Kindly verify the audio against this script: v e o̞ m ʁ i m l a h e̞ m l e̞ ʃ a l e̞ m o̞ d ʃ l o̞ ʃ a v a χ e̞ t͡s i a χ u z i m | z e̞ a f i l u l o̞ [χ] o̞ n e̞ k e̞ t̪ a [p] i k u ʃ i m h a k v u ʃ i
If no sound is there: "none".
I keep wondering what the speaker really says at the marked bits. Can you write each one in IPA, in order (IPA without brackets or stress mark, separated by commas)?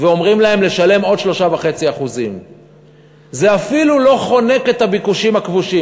χ, b